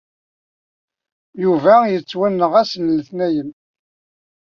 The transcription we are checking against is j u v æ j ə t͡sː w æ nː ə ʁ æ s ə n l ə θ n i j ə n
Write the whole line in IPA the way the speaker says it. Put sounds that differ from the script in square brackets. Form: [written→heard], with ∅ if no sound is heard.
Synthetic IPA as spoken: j u v æ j ə t͡sː w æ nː ə ʁ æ s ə n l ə θ n [i→æ] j ə n